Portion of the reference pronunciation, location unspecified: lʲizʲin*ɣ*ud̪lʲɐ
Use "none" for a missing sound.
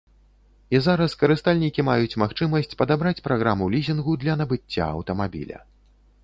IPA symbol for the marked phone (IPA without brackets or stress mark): ɣ